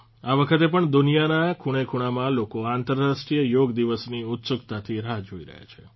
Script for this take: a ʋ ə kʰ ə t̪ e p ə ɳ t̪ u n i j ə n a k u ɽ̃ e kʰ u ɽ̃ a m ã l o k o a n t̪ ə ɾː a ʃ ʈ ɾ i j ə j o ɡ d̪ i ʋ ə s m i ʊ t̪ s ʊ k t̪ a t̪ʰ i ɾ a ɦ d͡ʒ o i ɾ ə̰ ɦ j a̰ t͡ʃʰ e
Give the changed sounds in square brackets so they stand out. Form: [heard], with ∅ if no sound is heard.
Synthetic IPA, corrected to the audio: a ʋ ə kʰ ə t̪ e p ə ɳ [d̪] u n i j [a] n a [kʰ] u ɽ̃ e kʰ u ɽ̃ a m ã l o k o a n t̪ ə ɾː a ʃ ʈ ɾ i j ə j o ɡ d̪ i ʋ ə s [n] i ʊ t̪ s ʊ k t̪ a t̪ʰ i ɾ a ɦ d͡ʒ o i ɾ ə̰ ɦ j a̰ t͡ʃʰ e